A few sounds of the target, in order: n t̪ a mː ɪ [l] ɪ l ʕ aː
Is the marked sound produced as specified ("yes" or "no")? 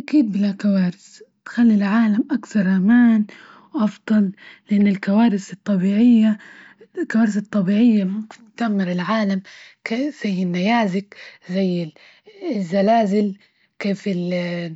no